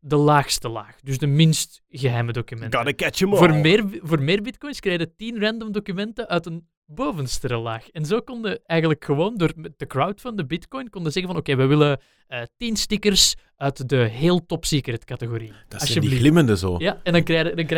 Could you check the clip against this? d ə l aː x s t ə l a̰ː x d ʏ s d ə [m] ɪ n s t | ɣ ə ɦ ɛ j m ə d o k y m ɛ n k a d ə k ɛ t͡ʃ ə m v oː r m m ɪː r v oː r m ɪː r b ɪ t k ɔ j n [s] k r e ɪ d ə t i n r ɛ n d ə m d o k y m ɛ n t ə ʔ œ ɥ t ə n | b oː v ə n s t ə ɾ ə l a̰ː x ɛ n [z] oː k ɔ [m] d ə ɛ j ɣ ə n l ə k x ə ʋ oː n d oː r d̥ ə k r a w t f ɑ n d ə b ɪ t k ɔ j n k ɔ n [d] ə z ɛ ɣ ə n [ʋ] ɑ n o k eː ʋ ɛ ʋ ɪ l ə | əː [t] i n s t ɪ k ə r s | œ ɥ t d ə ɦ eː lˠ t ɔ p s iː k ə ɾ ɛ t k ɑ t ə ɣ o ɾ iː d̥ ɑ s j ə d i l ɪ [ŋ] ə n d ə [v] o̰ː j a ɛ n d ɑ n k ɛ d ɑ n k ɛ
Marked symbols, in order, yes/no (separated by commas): yes, yes, yes, no, yes, no, yes, no, no